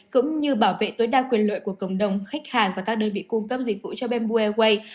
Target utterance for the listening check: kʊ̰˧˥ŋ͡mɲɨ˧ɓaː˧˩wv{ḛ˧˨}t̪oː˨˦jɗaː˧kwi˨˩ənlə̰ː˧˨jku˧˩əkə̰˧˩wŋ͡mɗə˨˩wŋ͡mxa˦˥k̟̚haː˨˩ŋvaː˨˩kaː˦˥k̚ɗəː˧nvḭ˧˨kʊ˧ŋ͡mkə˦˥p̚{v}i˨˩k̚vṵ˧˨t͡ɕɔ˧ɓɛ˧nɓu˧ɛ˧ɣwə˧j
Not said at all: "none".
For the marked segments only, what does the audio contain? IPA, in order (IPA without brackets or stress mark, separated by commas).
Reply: ḛ˧˨, z